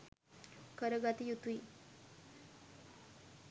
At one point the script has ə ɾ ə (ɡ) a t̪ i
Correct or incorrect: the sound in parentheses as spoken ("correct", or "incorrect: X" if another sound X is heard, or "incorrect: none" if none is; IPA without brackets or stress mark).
correct